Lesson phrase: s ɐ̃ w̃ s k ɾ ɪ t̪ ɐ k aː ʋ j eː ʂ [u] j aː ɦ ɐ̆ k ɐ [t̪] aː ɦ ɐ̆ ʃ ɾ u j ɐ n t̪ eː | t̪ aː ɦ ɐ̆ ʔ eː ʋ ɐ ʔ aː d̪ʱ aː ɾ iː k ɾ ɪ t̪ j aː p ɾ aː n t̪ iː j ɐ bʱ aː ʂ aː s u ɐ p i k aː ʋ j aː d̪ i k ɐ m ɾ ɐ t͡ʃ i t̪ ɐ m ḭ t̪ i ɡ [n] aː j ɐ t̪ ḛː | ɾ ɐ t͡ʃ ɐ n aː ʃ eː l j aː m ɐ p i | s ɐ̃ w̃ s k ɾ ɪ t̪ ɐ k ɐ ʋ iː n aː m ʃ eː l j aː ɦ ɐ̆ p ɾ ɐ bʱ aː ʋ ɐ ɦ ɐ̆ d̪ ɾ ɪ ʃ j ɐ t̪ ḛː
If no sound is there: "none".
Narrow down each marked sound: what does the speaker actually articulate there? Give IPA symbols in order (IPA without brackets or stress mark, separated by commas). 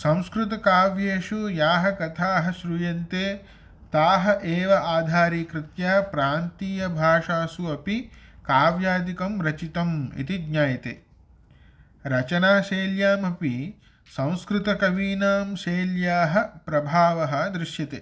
u, t̪ʰ, ɲ